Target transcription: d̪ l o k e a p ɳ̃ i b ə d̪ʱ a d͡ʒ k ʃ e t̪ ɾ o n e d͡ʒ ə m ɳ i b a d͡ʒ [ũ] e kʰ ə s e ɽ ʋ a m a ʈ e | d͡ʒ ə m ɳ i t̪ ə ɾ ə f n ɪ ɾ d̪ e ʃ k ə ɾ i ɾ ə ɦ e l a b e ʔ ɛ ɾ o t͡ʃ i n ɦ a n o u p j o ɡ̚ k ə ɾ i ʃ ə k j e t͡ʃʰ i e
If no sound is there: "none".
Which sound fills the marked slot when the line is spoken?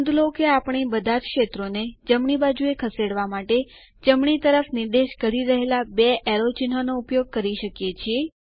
u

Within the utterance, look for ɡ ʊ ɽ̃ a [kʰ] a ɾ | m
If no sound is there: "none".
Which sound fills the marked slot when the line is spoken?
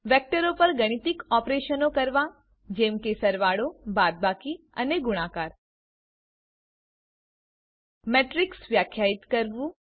k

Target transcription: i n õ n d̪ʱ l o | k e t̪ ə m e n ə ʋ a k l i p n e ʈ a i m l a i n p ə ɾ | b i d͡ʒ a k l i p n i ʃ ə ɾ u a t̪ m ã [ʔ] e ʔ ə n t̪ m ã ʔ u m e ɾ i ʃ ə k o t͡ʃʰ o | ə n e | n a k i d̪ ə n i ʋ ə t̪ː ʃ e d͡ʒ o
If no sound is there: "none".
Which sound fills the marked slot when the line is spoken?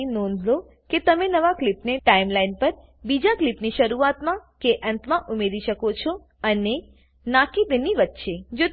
k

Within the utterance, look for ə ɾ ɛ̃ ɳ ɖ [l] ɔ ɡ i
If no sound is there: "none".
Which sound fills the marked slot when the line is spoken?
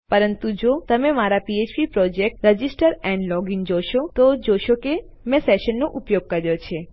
l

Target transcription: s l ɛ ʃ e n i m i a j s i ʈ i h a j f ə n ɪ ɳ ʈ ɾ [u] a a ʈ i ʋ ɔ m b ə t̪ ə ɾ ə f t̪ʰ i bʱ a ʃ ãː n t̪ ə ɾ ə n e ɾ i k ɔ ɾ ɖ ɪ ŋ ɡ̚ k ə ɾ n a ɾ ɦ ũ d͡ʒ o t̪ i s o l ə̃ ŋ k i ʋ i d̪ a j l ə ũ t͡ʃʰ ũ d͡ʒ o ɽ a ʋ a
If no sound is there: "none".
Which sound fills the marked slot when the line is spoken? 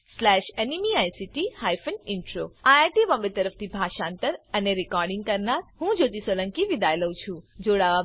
o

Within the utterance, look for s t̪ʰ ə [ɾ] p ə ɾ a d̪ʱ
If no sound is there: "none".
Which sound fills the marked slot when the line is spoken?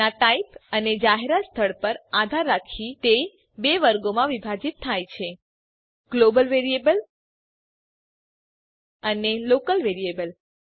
ɭ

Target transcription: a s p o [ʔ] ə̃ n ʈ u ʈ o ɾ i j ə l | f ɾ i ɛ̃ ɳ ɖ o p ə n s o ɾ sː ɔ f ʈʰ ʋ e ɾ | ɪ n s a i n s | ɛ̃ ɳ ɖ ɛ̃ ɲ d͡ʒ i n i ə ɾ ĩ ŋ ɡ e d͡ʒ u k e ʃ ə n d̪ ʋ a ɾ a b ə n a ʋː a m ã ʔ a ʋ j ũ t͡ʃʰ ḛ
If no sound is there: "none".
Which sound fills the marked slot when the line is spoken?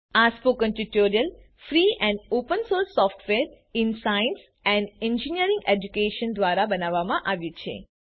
k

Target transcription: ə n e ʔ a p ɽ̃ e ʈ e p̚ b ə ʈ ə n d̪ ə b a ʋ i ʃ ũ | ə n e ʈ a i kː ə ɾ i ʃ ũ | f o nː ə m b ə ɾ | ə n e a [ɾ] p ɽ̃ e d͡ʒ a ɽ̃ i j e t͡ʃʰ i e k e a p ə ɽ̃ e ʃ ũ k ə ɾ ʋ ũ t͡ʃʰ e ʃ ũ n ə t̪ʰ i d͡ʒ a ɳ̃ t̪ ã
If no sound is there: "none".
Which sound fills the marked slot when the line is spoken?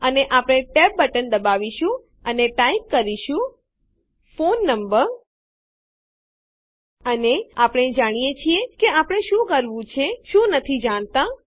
none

